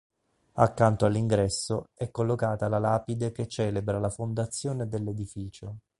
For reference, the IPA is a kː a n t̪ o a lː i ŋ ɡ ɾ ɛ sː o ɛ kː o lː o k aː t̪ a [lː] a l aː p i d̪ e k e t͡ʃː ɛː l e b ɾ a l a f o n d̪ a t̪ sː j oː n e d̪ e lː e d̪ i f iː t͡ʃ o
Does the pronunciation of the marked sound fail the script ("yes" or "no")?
yes